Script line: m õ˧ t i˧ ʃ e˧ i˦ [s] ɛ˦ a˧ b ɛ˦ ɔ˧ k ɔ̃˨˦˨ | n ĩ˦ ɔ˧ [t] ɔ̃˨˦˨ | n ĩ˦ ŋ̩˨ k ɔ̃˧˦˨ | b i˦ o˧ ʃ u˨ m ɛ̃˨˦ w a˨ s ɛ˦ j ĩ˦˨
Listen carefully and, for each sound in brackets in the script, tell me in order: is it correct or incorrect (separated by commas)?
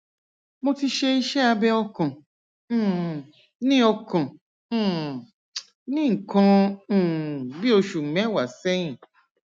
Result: incorrect, incorrect